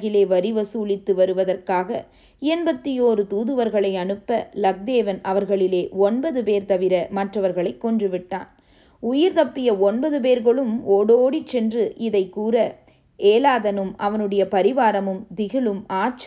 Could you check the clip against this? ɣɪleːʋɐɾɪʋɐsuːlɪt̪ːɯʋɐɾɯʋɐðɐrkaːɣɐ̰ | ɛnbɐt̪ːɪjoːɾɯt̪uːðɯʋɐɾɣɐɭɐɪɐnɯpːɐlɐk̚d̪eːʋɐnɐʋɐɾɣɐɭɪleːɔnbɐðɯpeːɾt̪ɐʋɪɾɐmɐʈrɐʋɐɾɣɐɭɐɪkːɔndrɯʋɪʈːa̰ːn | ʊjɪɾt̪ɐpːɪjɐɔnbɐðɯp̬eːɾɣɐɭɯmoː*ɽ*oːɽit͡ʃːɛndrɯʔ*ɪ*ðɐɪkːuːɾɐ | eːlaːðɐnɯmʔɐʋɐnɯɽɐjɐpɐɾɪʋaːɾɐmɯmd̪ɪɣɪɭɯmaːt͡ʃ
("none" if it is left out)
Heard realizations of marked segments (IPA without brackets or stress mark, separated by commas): ɽ, ɪ